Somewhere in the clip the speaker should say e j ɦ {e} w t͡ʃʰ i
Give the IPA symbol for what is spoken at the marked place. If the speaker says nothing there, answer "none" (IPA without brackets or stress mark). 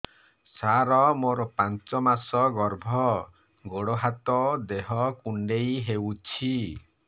e